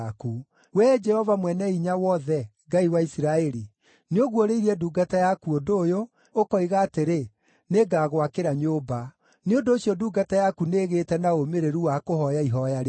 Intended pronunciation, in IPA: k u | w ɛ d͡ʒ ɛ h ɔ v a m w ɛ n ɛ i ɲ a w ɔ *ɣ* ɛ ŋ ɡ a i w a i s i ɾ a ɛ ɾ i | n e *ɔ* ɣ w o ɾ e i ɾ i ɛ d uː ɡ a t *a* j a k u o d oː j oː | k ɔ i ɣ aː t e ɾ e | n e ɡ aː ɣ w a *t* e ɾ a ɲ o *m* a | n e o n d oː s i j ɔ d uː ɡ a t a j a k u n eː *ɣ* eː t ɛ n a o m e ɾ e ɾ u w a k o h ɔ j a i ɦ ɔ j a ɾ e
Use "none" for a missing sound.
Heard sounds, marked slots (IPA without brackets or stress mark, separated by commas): ð, o, a, k, b, ɣ